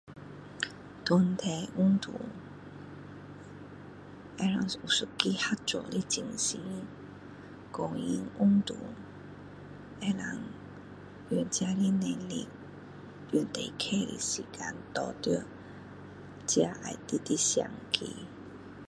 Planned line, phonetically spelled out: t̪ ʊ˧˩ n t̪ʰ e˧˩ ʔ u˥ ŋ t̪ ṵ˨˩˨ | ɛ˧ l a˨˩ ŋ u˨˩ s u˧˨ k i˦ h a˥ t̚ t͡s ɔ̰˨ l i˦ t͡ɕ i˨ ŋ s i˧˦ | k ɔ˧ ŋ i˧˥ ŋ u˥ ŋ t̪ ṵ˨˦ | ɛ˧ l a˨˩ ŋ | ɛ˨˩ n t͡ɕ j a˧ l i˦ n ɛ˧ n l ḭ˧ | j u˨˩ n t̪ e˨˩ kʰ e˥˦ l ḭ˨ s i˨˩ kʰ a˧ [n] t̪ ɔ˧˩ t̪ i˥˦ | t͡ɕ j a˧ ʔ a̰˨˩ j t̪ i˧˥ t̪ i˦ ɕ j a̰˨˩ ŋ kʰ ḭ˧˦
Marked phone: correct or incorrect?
correct